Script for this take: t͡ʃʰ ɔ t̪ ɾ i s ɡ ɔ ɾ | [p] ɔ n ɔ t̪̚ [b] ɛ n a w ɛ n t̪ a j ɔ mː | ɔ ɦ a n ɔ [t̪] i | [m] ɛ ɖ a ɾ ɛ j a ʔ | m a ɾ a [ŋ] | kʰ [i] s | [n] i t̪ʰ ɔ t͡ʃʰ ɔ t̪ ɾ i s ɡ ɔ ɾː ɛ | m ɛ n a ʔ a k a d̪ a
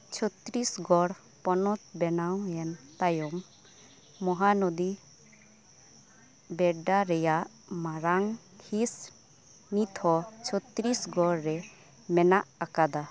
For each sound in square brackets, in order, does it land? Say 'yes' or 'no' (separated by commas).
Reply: yes, yes, no, no, yes, yes, yes